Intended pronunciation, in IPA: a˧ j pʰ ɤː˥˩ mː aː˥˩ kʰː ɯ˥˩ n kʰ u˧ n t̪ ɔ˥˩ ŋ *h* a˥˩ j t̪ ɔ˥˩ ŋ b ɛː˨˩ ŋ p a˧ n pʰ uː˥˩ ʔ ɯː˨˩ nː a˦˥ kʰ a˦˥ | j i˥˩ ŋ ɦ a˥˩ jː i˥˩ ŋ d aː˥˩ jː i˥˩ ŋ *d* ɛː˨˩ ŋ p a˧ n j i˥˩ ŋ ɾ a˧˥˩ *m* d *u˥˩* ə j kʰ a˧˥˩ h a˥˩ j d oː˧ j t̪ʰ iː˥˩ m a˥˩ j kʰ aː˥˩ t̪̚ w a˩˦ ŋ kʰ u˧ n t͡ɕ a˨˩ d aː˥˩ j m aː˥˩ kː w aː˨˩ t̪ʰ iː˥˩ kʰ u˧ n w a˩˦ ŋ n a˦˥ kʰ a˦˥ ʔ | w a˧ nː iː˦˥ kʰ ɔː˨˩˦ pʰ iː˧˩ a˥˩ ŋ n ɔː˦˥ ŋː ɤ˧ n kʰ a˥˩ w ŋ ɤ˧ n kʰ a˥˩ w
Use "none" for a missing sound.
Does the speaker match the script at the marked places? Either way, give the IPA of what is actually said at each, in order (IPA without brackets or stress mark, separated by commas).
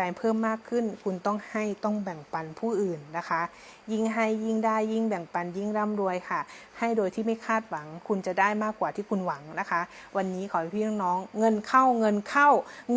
h, b, m, u˧